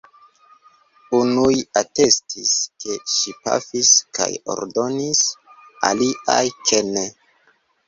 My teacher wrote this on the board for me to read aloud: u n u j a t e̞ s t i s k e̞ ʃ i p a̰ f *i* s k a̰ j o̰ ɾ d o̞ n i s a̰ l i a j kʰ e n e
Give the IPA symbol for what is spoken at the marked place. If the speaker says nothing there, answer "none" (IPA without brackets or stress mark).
i